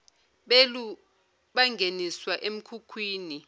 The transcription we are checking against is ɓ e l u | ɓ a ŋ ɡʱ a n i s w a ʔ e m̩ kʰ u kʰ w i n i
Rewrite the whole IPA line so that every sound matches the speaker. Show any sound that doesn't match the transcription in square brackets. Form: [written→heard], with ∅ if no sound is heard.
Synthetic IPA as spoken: ɓ e l u | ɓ a ŋ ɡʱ [a→e] n i s w a ʔ e m̩ kʰ u kʰ w [i→iː] n i